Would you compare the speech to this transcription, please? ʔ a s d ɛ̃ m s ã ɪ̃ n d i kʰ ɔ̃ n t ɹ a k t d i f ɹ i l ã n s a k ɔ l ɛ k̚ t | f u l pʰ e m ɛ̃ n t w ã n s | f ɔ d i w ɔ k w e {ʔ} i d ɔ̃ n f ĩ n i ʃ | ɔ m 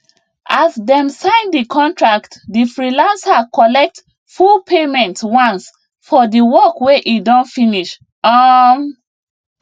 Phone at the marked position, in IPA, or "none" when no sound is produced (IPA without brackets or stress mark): ʔ